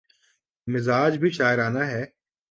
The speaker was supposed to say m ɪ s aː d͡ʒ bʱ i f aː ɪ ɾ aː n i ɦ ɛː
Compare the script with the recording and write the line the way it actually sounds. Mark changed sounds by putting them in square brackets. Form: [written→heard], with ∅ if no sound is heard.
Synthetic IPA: m ɪ [s→z] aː d͡ʒ bʱ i [f→ʃ] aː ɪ ɾ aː n [i→a] ɦ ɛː